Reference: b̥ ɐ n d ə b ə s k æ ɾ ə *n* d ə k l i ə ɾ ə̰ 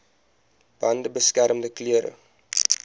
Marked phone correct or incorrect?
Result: incorrect